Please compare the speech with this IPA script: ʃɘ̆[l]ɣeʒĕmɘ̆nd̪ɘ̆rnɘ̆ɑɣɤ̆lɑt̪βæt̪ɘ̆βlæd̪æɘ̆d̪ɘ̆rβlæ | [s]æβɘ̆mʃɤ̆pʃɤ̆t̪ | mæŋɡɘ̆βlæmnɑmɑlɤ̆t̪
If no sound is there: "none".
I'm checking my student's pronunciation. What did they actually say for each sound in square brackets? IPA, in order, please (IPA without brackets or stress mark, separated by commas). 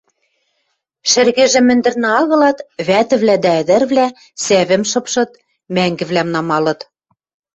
r, s